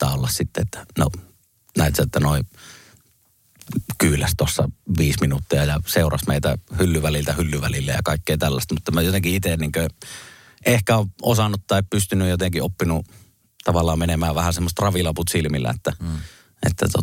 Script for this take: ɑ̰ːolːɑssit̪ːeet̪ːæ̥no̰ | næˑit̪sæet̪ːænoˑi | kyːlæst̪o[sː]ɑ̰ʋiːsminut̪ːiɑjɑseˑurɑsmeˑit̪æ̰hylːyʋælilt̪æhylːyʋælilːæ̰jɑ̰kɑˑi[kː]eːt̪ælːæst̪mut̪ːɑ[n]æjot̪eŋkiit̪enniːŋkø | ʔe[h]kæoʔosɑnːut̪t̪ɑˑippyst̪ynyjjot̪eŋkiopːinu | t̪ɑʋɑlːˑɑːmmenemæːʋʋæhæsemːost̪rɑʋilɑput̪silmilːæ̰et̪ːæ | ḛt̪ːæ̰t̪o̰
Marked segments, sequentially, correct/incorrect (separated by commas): correct, correct, incorrect, correct